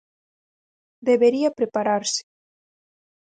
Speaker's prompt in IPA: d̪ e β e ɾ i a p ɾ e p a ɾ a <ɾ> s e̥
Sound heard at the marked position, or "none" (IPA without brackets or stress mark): ɾ